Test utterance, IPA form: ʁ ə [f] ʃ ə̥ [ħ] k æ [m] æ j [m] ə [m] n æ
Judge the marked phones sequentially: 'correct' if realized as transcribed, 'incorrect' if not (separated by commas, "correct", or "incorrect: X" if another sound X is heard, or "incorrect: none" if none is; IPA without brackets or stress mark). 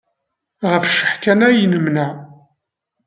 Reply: correct, correct, incorrect: n, incorrect: n, correct